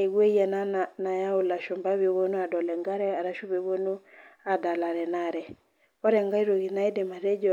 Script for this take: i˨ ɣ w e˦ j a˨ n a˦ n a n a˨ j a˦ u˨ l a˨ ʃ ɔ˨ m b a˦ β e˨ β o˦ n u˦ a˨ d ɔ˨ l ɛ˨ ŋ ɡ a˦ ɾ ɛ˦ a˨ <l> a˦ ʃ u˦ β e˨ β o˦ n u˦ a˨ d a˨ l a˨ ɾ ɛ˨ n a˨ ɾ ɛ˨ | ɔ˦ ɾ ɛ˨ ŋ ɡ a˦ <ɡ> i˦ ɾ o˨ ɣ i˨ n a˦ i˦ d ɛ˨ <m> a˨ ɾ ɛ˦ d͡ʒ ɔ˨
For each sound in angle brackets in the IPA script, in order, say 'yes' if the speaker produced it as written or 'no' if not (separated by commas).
no, no, yes